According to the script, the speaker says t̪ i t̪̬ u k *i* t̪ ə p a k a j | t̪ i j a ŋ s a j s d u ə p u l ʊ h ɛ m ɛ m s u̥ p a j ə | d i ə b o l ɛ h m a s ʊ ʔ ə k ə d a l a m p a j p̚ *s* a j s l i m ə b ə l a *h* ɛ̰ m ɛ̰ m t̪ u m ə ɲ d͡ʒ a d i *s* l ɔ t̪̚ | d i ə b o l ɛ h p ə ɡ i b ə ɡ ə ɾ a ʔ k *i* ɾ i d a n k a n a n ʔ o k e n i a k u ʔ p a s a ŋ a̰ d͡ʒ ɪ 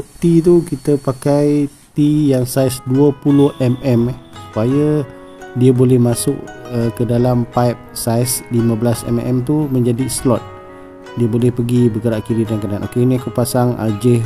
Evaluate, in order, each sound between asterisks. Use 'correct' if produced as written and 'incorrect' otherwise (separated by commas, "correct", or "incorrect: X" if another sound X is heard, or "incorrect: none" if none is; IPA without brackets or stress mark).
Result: correct, correct, incorrect: s, correct, correct